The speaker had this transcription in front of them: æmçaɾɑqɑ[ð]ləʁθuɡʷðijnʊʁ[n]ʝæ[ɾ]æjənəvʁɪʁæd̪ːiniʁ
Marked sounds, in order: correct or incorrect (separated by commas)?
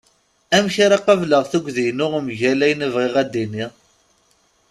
incorrect, incorrect, incorrect